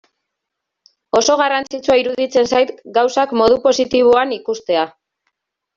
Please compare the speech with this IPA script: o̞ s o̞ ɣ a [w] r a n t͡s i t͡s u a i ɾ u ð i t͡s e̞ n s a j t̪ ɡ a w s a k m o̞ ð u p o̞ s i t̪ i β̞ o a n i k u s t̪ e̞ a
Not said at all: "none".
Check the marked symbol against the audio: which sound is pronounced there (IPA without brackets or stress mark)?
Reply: none